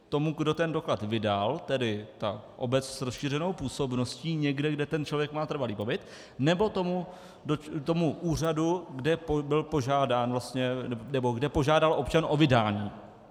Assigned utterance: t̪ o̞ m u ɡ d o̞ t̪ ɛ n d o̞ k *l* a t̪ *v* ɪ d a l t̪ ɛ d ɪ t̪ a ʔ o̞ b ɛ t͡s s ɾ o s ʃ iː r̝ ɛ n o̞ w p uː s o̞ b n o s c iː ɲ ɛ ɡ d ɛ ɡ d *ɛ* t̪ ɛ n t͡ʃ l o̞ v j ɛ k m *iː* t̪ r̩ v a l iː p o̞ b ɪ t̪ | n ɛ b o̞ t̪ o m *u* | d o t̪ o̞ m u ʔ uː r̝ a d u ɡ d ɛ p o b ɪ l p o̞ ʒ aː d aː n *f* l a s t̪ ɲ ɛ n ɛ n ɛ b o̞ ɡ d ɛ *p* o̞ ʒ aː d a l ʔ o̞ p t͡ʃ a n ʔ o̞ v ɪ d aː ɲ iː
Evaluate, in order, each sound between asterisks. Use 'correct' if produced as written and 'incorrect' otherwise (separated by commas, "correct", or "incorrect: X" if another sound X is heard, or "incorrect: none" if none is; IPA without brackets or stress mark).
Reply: correct, correct, correct, incorrect: aː, correct, incorrect: v, correct